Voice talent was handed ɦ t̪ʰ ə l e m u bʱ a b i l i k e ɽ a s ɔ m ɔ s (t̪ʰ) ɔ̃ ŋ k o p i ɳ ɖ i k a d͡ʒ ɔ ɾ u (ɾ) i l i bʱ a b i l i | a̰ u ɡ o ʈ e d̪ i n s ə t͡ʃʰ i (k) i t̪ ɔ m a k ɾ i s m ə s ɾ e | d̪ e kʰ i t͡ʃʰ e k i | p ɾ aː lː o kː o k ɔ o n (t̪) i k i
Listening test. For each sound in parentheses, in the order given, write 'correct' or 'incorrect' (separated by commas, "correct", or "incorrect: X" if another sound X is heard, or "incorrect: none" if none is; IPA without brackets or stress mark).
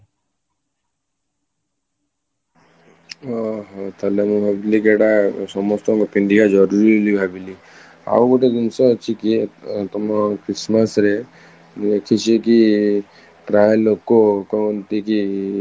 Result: incorrect: t̪, correct, correct, correct